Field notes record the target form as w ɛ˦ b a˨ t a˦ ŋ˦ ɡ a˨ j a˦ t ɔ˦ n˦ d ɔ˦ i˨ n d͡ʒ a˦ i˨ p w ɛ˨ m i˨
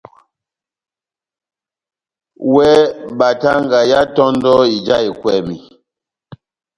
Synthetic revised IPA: w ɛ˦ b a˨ t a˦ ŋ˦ ɡ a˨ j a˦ t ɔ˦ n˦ d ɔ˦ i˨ d͡ʒ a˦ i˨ k w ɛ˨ m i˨